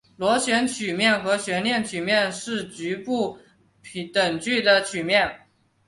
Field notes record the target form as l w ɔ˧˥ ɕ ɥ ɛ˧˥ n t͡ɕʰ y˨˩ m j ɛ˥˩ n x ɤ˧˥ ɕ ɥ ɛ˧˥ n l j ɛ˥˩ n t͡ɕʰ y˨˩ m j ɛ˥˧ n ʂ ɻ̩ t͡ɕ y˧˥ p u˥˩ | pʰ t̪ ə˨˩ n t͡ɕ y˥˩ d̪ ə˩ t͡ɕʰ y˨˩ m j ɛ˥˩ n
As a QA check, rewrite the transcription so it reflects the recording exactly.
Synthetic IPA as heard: l w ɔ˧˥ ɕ ɥ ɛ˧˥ n t͡ɕʰ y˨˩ m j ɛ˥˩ n x ɤ˧˥ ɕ ɥ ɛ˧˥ n l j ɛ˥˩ n t͡ɕʰ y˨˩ m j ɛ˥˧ n ʂ ɻ̩ t͡ɕ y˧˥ p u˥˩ | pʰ t̪ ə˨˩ ŋ t͡ɕ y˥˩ d̪ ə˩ t͡ɕʰ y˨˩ m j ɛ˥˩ n